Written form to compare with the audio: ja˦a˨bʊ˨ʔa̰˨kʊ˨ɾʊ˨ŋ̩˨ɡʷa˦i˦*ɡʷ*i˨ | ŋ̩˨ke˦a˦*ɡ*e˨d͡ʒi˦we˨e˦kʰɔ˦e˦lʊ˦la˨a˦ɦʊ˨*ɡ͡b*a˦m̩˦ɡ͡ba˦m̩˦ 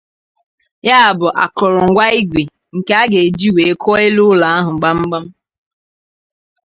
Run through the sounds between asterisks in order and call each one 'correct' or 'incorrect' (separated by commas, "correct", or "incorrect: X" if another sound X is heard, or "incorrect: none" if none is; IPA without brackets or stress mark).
correct, correct, correct